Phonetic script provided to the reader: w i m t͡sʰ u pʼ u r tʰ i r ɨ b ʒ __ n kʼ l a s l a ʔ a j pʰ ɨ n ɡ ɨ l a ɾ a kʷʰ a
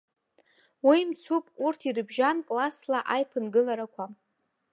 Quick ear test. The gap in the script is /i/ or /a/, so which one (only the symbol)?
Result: a